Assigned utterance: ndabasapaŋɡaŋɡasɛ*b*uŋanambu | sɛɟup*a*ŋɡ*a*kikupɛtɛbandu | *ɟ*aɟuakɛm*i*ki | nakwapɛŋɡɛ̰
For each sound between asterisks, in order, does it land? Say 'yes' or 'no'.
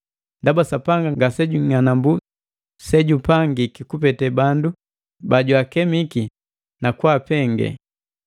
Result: no, yes, no, no, yes

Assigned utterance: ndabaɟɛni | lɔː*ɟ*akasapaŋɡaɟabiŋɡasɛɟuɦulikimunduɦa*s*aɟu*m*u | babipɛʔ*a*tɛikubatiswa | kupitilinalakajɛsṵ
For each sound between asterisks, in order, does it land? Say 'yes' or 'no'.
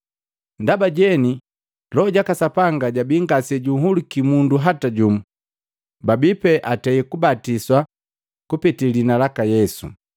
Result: yes, no, yes, yes

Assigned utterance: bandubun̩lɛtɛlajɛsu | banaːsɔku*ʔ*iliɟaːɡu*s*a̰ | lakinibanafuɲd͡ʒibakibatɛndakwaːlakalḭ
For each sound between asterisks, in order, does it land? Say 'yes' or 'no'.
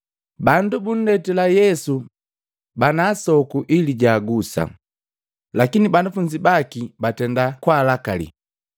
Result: yes, yes

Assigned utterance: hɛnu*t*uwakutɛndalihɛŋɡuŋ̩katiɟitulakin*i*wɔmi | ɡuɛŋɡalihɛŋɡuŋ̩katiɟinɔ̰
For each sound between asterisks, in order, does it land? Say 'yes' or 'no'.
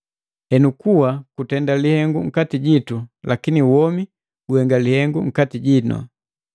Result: no, yes

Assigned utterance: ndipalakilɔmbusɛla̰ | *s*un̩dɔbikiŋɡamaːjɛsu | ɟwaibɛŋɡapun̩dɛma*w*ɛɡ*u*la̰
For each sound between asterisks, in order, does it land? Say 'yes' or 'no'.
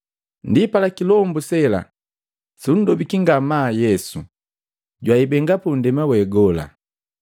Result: yes, yes, no

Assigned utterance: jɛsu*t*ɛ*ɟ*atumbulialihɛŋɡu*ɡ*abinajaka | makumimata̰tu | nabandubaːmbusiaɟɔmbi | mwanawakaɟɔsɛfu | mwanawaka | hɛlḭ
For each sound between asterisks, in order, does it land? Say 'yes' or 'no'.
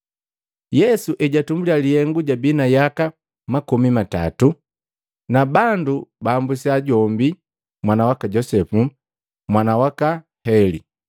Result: no, yes, no

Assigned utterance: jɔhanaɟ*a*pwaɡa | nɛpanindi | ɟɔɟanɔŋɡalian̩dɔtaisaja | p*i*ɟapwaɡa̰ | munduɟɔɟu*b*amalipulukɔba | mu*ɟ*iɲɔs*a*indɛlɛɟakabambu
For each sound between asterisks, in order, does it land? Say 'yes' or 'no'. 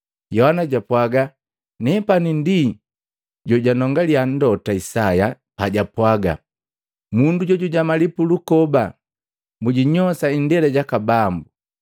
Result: yes, no, no, yes, yes

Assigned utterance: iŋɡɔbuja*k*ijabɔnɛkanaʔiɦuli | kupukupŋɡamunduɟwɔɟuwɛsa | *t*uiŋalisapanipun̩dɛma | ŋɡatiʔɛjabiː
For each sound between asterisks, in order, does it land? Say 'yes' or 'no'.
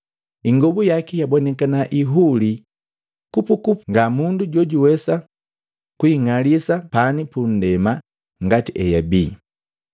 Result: yes, no

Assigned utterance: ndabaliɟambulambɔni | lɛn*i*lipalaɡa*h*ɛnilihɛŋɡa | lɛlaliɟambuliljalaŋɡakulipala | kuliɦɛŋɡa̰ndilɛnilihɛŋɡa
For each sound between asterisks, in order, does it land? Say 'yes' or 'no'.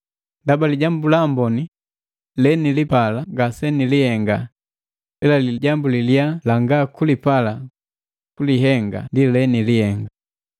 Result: yes, no

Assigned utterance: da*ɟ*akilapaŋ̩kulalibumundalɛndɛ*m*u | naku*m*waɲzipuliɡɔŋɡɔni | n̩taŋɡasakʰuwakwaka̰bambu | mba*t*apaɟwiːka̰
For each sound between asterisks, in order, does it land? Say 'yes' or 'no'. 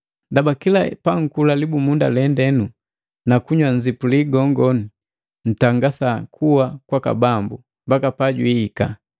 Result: no, no, no, no

